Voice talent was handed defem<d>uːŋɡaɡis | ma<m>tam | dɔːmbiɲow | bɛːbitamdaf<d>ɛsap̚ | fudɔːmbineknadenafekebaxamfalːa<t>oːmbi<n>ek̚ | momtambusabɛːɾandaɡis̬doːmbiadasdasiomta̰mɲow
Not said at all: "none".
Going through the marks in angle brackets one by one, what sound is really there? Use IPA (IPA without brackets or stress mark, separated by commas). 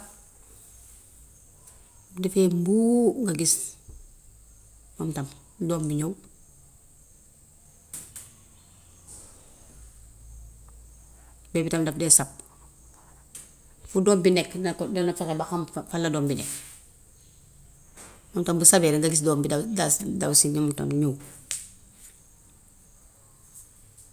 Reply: b, m, d, d, n